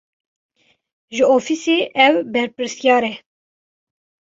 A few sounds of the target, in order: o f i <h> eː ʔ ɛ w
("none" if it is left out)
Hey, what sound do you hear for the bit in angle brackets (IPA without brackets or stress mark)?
s